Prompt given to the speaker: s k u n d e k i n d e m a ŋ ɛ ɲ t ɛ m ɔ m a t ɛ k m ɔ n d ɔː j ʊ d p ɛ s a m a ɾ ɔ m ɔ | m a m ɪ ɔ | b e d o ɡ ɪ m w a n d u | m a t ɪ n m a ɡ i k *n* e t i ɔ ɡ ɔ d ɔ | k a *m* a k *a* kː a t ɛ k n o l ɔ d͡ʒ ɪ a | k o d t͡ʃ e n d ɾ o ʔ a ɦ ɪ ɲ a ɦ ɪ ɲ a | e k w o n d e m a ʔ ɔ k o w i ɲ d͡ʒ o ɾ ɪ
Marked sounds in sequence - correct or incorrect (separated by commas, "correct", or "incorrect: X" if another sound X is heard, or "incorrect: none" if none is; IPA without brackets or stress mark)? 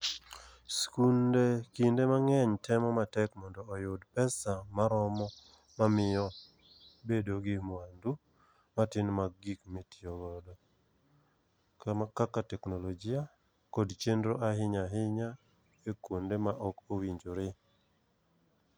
incorrect: m, correct, correct